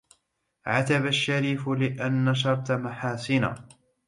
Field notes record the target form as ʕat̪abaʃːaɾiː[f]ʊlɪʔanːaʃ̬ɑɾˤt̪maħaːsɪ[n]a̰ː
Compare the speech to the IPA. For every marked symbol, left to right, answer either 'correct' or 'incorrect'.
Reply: correct, correct

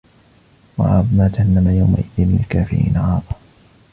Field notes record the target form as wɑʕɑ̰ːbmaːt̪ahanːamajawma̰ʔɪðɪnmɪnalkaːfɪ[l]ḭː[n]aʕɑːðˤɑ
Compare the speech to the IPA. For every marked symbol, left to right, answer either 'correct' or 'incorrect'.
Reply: incorrect: ɾ, correct

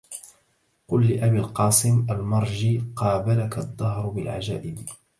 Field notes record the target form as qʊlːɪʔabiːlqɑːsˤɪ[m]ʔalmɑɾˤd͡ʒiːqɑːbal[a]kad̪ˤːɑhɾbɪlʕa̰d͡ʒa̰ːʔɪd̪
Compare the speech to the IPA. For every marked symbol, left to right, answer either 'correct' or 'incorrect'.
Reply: correct, correct

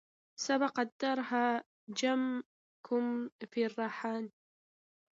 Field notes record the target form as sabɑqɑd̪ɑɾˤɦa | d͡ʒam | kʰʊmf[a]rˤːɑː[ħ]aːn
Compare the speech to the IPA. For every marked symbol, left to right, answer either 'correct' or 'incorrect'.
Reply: incorrect: i, correct

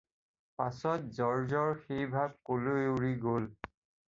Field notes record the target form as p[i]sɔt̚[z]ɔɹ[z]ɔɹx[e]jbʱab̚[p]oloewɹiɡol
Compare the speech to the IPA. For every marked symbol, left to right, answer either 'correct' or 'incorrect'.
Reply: incorrect: a, correct, correct, correct, incorrect: k

